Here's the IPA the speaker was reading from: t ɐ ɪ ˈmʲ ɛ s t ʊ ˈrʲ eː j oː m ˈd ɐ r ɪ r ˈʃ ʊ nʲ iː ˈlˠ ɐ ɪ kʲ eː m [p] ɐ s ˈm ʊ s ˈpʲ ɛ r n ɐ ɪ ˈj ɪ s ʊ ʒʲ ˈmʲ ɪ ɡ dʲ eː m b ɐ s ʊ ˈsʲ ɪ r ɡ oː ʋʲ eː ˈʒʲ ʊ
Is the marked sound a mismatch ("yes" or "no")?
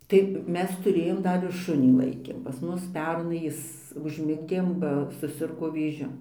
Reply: no